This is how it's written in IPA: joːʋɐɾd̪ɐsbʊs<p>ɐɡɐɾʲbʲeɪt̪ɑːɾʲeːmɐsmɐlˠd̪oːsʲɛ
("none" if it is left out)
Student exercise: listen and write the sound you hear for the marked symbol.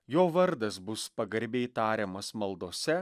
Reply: p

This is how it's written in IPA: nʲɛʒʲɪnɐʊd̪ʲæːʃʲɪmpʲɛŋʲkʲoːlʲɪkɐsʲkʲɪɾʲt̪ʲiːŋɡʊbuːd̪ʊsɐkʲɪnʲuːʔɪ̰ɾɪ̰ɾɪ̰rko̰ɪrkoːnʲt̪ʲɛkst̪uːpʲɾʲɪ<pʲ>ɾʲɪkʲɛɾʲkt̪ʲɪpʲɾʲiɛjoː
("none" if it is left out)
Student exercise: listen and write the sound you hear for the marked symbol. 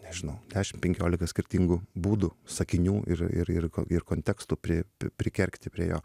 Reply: pʲ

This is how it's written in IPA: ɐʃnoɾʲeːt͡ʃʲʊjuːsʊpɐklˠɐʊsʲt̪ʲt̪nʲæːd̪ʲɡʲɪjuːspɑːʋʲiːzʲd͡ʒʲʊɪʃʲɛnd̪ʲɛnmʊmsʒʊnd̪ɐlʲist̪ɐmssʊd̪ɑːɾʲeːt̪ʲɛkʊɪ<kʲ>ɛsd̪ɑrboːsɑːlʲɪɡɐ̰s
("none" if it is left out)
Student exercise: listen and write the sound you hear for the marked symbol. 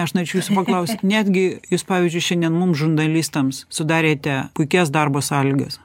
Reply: kʲ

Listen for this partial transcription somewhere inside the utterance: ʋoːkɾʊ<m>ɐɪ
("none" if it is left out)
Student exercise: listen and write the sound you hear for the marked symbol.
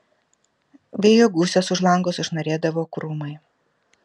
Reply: m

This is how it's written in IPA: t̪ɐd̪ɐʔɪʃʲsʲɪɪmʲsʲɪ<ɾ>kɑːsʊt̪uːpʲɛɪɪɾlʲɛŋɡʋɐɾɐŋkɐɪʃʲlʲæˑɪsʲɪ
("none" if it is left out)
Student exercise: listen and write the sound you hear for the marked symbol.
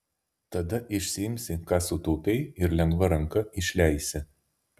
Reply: none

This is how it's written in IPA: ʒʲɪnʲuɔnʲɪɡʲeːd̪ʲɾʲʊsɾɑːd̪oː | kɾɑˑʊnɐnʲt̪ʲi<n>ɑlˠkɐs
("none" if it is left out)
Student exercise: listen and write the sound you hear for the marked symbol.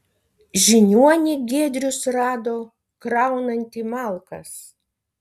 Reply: m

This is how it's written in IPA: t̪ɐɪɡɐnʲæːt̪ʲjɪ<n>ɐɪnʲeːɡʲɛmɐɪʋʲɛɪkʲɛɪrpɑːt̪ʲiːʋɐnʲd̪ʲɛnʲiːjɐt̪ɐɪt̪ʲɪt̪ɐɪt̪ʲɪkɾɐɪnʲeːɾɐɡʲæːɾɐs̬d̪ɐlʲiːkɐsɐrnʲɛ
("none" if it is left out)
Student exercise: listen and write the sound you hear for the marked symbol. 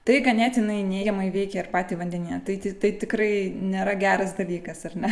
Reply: n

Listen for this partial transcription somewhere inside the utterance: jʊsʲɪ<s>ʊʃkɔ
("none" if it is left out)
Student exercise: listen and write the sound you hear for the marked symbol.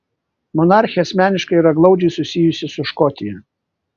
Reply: s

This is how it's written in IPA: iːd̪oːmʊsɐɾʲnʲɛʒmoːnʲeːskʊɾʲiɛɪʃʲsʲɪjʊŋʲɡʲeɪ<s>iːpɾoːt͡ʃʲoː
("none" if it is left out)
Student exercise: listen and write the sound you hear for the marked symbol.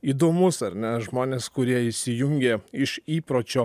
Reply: ʃ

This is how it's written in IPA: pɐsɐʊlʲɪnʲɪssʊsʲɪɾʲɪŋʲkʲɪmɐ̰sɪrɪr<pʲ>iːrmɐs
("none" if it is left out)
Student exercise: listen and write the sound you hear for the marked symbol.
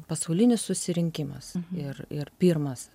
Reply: pʲ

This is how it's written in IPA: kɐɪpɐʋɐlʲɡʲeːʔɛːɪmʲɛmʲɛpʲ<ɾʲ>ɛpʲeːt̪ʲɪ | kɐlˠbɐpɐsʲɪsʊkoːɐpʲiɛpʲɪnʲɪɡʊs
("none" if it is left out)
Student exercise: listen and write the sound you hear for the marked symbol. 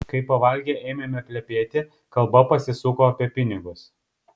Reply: lʲ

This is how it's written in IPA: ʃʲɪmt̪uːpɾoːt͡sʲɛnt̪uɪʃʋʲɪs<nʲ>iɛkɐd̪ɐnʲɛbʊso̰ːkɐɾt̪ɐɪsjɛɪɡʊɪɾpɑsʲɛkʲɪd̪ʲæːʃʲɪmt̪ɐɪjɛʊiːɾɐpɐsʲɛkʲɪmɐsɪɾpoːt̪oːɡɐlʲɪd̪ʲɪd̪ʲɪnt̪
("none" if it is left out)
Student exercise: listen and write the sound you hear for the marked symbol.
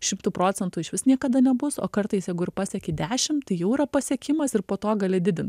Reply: nʲ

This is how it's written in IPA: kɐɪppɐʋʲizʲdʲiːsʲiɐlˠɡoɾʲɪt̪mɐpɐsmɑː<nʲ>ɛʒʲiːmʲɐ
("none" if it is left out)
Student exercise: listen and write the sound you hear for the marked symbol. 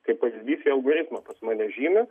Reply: nʲ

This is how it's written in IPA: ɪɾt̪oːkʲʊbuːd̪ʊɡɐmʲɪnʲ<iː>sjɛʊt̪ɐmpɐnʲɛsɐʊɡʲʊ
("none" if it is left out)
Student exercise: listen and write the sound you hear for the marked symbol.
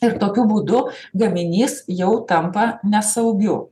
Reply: iː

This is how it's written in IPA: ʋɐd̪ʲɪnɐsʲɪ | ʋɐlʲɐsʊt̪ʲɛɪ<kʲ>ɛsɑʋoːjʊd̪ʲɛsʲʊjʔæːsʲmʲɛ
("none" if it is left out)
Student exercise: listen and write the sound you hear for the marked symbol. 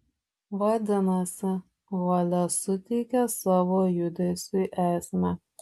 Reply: kʲ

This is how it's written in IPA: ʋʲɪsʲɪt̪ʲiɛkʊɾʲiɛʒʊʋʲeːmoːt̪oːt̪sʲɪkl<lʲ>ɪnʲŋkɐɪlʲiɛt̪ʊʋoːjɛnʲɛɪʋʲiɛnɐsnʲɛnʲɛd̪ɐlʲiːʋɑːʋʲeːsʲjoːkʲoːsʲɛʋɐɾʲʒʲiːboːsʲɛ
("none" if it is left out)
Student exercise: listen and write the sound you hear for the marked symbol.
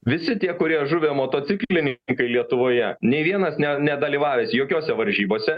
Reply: lʲ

